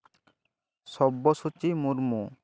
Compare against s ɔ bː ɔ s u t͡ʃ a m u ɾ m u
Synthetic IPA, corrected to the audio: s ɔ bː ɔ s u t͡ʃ i m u ɾ m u